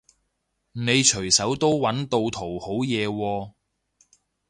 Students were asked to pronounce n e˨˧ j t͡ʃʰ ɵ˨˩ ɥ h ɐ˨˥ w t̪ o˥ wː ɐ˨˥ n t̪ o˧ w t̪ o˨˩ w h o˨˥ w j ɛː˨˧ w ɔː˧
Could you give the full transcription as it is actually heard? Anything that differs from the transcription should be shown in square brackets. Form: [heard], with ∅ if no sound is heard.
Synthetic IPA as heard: n e˨˧ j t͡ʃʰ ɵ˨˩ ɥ [s] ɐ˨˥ w t̪ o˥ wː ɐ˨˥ n t̪ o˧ w [t̪ʰ] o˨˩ w h o˨˥ w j ɛː˨˧ w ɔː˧